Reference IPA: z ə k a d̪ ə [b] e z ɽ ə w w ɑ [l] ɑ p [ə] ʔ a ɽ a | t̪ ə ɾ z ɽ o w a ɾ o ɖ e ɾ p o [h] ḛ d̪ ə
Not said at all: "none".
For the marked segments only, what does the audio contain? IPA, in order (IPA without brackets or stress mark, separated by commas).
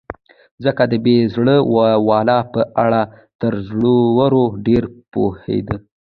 b, l, ə, h